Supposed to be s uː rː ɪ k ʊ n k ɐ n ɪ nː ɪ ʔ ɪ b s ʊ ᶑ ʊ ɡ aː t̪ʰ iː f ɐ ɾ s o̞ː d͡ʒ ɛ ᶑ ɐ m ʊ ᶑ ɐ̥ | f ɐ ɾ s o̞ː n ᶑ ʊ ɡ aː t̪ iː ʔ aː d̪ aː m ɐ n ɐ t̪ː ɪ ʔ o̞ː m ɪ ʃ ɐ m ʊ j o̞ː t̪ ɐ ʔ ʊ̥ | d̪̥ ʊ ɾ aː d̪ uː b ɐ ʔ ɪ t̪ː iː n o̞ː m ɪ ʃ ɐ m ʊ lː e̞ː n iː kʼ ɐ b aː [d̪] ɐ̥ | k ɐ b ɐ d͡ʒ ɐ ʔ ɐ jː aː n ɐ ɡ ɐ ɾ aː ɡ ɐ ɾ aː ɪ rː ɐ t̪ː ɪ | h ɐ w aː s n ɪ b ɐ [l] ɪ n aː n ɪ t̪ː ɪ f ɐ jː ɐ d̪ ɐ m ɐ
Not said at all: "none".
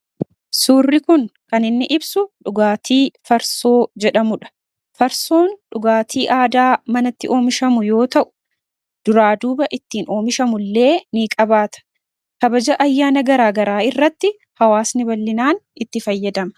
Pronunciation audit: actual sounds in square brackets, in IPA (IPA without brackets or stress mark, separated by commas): t̪, lː